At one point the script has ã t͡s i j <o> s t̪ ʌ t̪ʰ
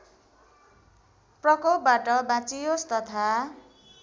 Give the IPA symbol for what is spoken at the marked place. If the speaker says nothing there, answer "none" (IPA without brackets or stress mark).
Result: o